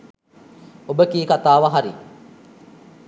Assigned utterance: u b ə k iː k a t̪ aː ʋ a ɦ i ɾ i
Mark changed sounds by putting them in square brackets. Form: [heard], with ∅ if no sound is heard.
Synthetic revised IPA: [o] b ə k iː k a t̪ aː ʋ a ɦ [a] ɾ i